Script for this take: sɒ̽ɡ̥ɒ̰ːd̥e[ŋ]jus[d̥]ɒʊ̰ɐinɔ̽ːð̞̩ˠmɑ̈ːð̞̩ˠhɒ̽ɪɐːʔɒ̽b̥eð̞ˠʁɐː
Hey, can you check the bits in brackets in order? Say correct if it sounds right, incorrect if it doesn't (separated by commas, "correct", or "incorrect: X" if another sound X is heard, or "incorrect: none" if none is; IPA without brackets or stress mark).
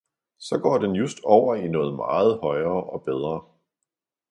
incorrect: n, correct